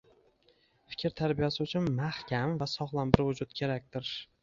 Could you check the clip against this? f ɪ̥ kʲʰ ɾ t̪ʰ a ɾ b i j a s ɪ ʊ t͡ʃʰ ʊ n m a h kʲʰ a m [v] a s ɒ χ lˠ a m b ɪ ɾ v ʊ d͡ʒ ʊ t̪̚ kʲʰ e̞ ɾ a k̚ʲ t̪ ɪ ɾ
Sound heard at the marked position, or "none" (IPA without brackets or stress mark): v